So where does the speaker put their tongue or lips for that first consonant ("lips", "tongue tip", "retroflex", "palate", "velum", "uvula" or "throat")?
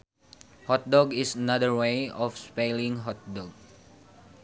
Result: throat